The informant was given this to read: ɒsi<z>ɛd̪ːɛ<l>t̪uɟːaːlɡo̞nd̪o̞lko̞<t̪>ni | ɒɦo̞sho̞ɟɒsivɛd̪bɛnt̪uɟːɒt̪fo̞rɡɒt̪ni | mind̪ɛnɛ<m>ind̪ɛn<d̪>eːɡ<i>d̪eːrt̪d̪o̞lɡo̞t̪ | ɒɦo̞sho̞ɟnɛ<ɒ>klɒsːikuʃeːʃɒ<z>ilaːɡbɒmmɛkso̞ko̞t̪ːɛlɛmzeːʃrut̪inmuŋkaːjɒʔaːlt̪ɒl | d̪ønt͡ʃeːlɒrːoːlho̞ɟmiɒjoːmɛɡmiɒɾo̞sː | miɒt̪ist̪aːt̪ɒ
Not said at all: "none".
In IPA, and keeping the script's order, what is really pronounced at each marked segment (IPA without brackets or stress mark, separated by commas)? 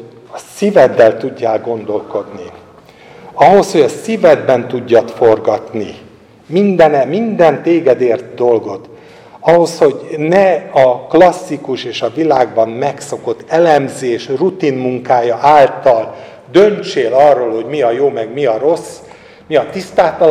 v, l, d̪, m, t̪, ɛ, ɒ, v